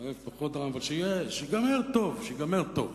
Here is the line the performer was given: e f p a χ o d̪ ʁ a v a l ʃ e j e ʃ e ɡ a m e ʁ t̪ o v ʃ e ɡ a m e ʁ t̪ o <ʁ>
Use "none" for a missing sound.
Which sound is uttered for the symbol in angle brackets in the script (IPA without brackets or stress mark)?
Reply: v